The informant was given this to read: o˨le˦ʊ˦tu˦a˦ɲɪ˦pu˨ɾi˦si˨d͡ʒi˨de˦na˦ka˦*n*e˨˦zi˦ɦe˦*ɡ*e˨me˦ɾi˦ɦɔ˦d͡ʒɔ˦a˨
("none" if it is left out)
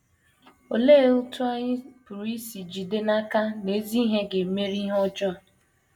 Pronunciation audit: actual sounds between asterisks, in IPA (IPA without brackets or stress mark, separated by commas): n, ɡ